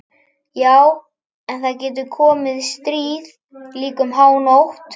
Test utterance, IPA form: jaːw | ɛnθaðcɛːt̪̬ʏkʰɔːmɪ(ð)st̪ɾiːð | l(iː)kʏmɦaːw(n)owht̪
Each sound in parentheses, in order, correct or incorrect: correct, correct, correct

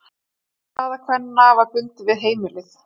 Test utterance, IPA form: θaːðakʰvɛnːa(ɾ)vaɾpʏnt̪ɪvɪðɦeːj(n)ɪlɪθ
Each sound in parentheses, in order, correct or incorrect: incorrect: none, incorrect: m

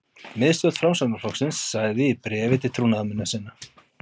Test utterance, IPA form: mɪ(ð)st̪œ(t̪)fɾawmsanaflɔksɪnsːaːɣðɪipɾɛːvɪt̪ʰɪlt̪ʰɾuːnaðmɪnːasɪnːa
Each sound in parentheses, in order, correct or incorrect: correct, correct

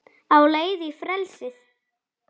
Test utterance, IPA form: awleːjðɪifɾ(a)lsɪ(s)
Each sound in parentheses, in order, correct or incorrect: incorrect: ɛ, incorrect: θ

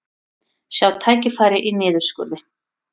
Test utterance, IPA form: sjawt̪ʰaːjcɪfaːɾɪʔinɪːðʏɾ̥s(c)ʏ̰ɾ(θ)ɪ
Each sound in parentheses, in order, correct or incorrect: incorrect: k, incorrect: ð

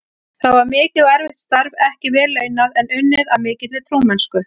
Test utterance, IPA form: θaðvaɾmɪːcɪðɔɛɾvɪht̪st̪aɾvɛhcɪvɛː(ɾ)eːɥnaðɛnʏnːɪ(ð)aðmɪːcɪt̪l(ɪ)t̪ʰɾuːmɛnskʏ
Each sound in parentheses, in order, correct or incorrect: incorrect: l, correct, correct

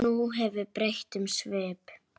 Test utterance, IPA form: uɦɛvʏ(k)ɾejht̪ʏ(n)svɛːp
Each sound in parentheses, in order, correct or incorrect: incorrect: p, incorrect: m

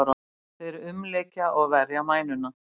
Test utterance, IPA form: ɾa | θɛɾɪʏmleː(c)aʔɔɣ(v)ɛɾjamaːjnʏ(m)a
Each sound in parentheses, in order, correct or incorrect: correct, correct, incorrect: n

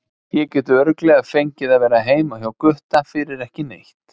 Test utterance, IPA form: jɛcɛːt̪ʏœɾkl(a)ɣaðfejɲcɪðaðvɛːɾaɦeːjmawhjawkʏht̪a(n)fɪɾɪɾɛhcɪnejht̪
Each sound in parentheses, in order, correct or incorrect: incorrect: ɛ, incorrect: none

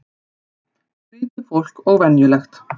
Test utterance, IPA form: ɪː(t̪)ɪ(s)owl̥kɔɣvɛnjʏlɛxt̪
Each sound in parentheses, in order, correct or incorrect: correct, incorrect: f

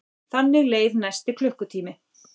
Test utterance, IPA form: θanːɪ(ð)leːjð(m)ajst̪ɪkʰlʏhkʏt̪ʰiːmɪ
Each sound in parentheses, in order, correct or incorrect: incorrect: ɣ, incorrect: n

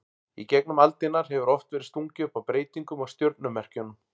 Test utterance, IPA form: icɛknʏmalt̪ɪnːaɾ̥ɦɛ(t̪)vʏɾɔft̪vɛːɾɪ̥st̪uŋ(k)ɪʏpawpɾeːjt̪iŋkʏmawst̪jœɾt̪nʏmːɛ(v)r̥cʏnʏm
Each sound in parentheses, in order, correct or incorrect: incorrect: none, incorrect: c, incorrect: none

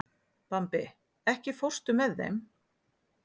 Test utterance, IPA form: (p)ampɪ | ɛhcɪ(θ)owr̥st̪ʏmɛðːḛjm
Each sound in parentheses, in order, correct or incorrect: correct, incorrect: f

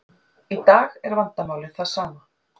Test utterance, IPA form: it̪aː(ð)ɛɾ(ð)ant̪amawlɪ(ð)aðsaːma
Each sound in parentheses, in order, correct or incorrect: incorrect: ɣ, incorrect: v, incorrect: θ

